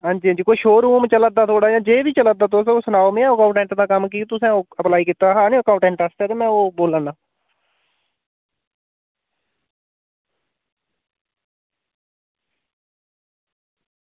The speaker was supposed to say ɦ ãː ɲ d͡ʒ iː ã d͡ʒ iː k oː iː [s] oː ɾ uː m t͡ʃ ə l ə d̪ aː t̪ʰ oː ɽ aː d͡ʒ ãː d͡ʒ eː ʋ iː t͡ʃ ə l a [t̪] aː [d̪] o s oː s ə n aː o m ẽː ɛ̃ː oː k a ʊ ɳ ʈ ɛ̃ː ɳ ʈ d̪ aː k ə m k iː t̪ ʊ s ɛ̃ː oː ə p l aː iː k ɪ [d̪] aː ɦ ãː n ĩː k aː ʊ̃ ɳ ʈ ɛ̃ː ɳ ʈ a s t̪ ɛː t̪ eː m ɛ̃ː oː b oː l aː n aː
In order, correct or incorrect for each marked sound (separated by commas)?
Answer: incorrect, incorrect, incorrect, incorrect